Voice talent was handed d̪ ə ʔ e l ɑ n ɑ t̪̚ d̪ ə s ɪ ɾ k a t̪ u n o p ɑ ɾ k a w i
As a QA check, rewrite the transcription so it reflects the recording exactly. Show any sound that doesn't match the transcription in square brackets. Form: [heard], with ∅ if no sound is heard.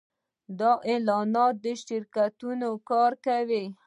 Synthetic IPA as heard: d̪ [ɑ] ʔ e l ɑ n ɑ t̪̚ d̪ ə [ʃ] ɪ ɾ k a t̪ u n o [k] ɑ ɾ k a w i